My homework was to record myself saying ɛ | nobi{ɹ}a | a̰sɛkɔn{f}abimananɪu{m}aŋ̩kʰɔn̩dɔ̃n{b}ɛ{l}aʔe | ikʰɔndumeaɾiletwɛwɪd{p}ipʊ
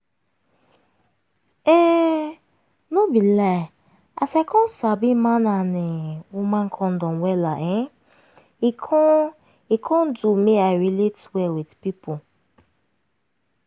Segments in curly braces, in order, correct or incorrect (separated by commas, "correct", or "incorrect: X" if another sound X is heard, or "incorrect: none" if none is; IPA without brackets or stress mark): incorrect: l, incorrect: s, correct, incorrect: w, correct, correct